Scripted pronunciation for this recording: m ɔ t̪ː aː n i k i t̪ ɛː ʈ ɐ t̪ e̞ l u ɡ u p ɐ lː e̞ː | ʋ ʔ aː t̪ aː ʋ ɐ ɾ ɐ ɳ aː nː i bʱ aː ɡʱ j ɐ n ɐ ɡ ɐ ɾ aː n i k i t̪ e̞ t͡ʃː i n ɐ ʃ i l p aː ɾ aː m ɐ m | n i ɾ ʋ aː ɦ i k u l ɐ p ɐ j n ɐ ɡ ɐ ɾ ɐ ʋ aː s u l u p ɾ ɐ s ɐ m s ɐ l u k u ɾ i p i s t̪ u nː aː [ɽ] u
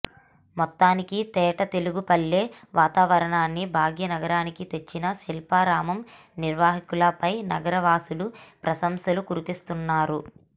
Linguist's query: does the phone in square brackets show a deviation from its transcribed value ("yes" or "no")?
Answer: yes